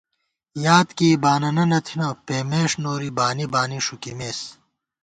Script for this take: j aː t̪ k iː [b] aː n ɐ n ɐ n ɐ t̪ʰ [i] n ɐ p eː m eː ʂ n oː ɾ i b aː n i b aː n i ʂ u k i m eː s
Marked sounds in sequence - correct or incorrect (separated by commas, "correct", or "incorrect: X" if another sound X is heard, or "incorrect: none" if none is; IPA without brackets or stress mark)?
correct, correct